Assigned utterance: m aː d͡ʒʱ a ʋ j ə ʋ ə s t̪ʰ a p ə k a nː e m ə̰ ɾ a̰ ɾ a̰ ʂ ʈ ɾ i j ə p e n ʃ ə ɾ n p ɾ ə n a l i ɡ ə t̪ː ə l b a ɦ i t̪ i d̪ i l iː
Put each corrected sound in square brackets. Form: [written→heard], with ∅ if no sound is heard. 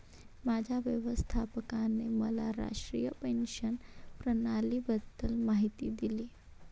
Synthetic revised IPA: m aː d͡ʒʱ a ʋ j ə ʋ ə s t̪ʰ a p ə k a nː e m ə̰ [ɾ→l] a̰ ɾ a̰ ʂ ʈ ɾ i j ə p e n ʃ ə [ɾ→∅] n p ɾ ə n a l i [ɡ→b] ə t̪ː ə l [b→m] a ɦ i t̪ i d̪ i l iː